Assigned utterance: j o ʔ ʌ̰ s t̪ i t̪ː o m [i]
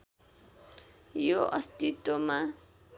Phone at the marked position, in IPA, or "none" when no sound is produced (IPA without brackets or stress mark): a